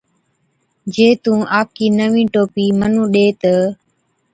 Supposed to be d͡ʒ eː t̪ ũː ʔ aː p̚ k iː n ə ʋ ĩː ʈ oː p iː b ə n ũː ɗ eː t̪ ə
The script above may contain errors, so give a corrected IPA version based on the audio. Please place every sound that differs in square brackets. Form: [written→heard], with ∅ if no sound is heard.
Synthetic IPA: d͡ʒ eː t̪ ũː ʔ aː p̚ k iː n ə ʋ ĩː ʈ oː p iː [b→m] ə n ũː ɗ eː t̪ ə